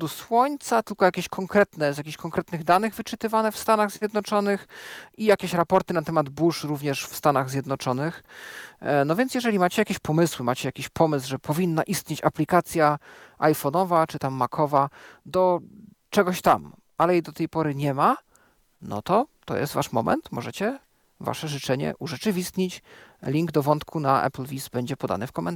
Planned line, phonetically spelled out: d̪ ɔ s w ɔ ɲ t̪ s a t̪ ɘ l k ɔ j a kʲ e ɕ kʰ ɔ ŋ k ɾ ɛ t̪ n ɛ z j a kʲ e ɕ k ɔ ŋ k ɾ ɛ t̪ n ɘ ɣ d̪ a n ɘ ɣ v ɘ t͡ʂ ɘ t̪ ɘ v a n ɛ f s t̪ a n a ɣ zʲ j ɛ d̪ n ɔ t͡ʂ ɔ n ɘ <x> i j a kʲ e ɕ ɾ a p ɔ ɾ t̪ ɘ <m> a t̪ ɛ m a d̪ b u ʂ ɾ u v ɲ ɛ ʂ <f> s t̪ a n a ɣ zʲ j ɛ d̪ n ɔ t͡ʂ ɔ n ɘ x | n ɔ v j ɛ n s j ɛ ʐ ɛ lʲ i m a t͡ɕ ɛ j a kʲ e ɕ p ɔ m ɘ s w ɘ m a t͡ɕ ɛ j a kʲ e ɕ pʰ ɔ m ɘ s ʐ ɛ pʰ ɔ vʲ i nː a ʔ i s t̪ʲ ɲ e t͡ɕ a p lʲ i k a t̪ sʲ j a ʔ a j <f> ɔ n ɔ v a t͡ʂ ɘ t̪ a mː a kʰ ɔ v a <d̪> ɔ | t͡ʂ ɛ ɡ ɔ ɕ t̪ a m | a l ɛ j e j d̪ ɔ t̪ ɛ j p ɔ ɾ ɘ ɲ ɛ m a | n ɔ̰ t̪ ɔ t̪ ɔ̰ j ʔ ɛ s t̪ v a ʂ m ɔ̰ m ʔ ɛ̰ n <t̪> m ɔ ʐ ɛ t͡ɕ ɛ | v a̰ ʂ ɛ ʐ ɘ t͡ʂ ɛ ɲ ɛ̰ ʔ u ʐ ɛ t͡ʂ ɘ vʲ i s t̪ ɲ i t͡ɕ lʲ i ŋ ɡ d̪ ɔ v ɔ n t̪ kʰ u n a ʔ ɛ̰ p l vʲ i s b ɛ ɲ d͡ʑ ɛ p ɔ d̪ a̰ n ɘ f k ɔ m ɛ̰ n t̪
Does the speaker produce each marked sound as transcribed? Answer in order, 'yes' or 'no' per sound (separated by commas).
yes, no, yes, yes, yes, yes